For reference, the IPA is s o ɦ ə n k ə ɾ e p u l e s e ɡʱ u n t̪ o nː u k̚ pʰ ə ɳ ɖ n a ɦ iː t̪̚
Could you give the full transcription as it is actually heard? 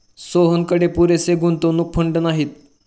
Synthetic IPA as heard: s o ɦ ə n k ə ɽ e p u ɾ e s e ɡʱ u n t̪ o n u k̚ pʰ ə ɳ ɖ n a ɦ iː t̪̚